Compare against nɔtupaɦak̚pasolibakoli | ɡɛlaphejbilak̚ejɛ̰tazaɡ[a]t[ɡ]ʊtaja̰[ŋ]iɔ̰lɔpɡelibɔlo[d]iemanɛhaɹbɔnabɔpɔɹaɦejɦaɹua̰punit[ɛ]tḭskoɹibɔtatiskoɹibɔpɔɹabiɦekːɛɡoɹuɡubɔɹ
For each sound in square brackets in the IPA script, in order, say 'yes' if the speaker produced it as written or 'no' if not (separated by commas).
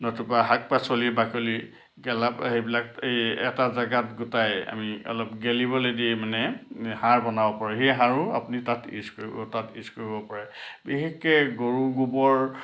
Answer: yes, yes, no, yes, no